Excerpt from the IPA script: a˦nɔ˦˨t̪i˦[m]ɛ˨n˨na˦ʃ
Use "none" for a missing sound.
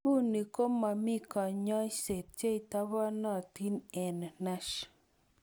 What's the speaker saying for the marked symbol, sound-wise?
n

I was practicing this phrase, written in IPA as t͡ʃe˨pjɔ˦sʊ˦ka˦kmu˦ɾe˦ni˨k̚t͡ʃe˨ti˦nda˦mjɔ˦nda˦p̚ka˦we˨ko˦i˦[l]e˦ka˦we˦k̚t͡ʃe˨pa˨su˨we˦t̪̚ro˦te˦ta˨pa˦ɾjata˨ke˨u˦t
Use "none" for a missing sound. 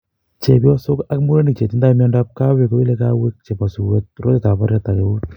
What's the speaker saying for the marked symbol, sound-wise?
l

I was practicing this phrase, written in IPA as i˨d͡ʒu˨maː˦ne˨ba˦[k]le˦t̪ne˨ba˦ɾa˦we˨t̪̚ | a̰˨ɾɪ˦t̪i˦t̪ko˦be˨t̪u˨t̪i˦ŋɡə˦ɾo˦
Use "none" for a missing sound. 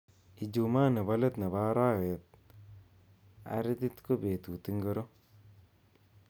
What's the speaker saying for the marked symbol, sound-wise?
none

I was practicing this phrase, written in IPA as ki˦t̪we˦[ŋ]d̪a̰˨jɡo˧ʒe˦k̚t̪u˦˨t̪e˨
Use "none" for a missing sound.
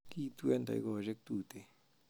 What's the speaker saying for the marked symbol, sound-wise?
n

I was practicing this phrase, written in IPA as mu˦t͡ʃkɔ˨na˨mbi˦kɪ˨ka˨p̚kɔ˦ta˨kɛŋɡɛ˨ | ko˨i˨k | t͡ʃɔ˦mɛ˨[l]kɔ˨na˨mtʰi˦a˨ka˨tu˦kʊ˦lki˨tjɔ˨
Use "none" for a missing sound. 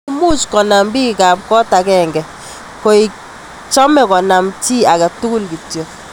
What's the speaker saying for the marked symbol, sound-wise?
none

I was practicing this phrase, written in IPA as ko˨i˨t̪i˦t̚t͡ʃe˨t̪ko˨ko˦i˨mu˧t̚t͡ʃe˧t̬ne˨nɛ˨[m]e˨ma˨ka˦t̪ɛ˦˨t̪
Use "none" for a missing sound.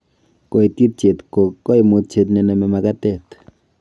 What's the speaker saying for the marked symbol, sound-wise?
m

